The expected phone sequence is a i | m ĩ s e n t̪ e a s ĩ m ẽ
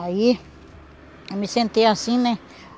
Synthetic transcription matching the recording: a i | m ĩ s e n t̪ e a s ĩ n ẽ